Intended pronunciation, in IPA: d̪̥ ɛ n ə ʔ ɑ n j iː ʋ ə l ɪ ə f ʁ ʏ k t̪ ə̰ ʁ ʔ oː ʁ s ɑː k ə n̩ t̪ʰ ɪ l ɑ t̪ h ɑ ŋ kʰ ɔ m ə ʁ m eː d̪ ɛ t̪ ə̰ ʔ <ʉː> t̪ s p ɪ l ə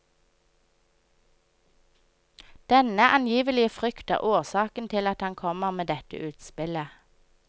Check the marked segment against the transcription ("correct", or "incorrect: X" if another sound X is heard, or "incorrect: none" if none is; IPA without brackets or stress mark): correct